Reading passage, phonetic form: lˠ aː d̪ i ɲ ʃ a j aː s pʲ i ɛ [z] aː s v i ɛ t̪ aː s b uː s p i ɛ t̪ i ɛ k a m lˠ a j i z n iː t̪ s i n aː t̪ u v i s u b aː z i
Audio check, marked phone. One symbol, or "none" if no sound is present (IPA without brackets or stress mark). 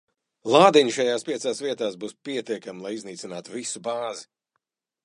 s